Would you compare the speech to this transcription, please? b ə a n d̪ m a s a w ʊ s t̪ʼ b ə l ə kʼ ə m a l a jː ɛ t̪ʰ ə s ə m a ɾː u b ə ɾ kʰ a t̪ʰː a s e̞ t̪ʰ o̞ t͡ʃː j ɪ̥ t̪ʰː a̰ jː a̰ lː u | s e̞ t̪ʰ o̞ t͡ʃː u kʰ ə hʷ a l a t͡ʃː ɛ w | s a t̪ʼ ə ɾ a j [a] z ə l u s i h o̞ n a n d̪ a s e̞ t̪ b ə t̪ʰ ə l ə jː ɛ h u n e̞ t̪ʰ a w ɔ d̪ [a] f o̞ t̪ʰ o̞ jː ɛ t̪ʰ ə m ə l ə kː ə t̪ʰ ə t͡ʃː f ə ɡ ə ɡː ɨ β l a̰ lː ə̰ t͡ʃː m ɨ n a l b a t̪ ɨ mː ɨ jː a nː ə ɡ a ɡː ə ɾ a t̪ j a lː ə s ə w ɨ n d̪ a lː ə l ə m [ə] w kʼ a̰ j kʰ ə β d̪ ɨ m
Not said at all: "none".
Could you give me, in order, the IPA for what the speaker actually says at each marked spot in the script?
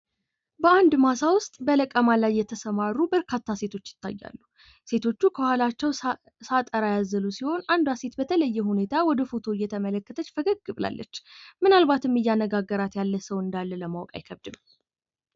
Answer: a, ə, a

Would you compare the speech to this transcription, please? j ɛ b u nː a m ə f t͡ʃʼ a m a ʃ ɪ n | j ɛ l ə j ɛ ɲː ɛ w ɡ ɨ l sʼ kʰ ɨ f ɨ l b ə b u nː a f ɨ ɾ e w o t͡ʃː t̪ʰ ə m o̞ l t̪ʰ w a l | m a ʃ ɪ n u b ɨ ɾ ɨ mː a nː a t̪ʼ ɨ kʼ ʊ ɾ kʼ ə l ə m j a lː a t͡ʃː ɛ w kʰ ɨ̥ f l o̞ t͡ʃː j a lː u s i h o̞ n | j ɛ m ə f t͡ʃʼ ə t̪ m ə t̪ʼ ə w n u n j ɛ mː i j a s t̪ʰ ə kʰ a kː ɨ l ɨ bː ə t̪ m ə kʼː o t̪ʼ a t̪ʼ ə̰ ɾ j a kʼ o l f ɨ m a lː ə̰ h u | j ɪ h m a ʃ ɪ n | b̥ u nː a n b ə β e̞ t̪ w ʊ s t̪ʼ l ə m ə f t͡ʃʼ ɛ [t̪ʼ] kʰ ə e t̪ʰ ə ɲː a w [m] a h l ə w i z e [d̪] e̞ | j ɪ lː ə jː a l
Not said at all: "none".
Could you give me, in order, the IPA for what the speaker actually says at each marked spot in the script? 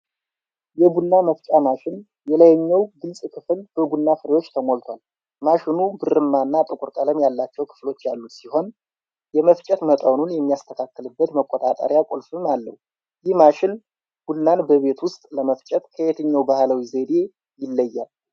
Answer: t̪, b, d̪

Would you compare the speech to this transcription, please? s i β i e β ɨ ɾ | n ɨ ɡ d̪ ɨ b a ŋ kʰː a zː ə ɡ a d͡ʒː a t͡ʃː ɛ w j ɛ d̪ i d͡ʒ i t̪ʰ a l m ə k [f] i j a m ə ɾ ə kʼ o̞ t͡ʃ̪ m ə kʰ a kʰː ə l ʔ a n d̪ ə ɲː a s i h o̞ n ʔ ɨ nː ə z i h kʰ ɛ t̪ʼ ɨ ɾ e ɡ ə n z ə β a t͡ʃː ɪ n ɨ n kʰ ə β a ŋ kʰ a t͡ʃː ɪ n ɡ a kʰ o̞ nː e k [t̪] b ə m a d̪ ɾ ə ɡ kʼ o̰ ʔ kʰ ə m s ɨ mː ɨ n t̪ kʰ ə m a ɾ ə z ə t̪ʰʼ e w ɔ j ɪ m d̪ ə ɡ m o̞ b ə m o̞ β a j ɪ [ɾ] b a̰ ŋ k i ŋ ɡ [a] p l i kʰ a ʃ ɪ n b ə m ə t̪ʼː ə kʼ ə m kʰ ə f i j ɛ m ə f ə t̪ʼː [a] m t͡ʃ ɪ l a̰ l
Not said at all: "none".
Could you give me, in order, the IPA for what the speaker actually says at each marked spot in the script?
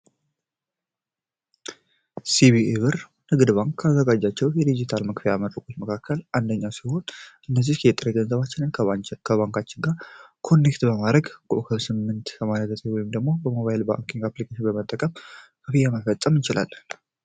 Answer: f, t̪, l, a, ə

